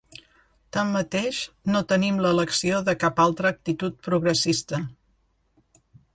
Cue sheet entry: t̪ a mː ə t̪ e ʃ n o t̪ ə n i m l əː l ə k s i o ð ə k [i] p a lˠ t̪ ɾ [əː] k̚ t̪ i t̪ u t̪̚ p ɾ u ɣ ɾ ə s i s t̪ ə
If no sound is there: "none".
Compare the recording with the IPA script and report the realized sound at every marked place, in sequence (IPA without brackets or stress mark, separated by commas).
a, əː